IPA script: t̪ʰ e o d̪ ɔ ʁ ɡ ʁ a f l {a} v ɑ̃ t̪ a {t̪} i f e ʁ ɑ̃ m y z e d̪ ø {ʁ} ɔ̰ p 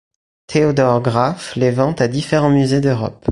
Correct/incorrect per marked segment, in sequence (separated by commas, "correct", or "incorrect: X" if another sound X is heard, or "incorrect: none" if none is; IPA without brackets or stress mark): incorrect: e, incorrect: d̪, correct